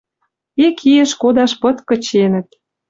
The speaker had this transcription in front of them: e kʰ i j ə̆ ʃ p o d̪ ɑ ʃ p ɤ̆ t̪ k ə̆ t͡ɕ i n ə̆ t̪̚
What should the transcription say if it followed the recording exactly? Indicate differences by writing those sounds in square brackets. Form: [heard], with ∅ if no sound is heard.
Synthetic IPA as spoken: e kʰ i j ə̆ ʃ [k] o d̪ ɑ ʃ p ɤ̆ t̪ k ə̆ t͡ɕ [e] n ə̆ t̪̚